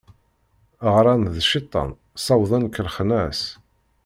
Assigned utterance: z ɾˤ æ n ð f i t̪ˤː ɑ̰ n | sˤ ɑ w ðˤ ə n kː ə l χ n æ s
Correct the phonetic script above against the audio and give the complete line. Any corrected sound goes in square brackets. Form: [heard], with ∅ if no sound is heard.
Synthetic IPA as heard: [ʁ] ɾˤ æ n ð [ʃ] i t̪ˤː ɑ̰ n | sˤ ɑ w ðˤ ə n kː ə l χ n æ s